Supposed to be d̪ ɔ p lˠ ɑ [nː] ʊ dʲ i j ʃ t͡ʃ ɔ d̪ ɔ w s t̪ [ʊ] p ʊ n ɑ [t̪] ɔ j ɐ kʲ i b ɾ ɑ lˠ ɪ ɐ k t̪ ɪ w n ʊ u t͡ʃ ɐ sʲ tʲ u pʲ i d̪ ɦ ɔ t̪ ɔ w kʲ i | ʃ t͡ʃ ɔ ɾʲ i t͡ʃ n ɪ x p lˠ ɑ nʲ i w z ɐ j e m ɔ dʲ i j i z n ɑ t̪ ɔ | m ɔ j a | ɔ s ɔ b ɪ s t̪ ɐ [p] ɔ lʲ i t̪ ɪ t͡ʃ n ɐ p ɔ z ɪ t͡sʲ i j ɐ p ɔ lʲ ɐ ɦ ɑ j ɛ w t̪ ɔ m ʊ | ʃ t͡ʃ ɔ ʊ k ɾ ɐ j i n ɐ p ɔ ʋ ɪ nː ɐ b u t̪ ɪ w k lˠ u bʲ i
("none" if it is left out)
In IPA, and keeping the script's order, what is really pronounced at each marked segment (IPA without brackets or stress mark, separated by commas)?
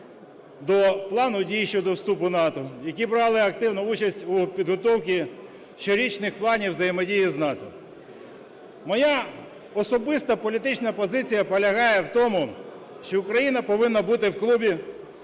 n, u, t̪, p